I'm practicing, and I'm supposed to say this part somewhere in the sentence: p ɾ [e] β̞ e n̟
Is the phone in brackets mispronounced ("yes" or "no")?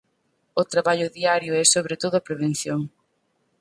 no